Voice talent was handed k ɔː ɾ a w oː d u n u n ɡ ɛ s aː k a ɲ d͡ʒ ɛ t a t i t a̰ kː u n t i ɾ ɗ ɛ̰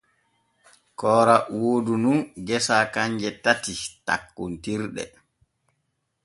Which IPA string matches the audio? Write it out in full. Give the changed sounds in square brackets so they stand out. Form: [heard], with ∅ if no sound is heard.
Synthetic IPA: k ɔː ɾ a w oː d u n u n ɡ ɛ s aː k a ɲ d͡ʒ ɛ t a t i t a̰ kː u n t i ɾ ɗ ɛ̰